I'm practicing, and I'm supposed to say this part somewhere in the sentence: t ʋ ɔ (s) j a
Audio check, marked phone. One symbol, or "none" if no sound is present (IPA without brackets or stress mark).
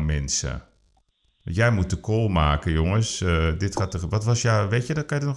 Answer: s